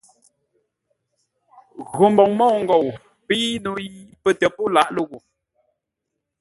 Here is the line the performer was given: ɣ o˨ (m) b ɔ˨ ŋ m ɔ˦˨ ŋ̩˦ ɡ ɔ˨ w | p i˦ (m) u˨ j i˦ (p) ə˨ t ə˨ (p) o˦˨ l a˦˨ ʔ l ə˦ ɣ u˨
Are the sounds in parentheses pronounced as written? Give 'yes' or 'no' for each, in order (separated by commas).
yes, no, yes, yes